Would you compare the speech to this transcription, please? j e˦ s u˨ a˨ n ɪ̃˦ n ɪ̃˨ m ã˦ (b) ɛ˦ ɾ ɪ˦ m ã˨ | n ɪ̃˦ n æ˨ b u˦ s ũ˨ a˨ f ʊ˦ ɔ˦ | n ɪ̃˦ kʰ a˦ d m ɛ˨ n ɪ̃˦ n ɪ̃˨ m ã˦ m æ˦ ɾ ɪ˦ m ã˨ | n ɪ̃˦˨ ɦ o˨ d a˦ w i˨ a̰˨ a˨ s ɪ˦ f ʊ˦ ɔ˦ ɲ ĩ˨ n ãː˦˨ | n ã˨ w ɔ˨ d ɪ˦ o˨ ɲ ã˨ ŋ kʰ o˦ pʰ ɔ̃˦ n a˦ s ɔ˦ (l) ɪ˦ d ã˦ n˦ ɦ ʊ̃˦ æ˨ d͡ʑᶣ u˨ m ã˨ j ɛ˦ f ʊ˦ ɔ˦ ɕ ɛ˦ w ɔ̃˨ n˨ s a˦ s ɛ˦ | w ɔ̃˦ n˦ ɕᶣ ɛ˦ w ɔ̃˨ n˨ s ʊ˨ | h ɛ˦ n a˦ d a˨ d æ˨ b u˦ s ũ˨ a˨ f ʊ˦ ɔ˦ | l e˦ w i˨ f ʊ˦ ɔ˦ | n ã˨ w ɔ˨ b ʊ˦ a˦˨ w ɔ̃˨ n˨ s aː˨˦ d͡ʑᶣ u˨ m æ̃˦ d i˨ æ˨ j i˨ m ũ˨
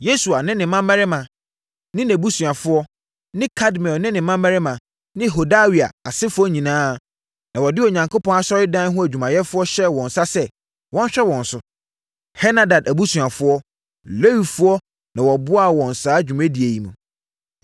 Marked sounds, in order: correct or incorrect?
incorrect, incorrect

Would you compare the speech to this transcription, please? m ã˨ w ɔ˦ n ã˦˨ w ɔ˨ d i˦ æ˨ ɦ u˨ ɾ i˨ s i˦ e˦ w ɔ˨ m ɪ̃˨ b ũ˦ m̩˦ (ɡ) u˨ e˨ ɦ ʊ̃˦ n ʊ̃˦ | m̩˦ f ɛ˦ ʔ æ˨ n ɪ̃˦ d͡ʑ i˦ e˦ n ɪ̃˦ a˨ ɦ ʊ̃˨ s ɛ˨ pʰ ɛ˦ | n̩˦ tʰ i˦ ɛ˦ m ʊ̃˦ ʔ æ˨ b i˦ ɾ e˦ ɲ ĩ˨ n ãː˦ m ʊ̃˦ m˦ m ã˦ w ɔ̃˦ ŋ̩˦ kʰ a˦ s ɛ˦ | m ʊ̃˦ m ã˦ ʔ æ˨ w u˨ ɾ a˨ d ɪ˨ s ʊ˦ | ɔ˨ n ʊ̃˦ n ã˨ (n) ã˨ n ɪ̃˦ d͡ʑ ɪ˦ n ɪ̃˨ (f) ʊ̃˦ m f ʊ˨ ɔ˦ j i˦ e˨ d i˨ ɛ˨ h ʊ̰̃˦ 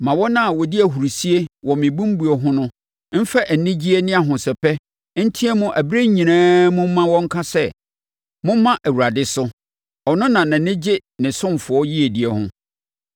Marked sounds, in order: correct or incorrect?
incorrect, correct, incorrect

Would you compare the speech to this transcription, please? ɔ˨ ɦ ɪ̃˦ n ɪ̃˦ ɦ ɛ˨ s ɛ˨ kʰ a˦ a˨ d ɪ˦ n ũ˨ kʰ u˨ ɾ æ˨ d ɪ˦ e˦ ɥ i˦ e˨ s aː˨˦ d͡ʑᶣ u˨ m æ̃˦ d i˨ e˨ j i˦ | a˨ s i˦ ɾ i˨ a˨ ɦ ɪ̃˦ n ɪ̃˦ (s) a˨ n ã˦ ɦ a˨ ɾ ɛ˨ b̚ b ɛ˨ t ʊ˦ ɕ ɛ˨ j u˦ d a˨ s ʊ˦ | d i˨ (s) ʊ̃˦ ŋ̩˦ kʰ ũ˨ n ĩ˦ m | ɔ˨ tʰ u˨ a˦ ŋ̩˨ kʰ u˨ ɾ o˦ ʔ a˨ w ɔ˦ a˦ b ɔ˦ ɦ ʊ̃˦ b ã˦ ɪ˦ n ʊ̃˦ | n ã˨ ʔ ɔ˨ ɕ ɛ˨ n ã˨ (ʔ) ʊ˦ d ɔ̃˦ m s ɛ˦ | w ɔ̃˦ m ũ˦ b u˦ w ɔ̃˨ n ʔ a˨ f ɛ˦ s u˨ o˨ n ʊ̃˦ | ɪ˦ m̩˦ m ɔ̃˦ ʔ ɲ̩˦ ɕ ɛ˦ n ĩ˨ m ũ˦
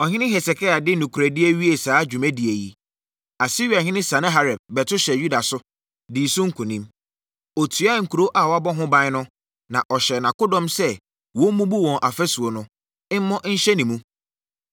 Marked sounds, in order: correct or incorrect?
correct, correct, incorrect

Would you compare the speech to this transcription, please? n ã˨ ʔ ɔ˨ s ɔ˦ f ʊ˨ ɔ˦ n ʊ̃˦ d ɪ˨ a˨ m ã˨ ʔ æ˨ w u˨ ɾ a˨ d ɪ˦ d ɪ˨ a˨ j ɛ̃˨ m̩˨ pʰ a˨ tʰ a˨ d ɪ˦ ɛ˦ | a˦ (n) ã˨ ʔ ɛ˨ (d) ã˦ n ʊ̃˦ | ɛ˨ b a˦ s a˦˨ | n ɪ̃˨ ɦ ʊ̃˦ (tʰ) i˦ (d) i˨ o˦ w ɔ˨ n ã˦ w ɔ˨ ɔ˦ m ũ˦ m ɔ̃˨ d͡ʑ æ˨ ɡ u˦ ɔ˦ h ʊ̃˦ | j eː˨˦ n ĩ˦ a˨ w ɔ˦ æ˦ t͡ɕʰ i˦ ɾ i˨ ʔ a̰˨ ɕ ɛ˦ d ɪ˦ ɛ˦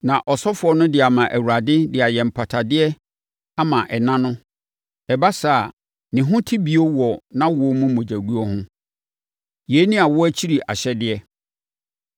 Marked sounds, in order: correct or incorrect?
incorrect, incorrect, correct, incorrect

